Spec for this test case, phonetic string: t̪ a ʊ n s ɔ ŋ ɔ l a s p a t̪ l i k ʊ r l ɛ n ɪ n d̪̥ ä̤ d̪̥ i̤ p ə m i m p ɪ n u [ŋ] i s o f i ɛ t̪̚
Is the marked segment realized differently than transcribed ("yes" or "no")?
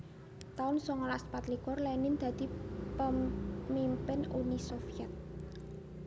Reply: yes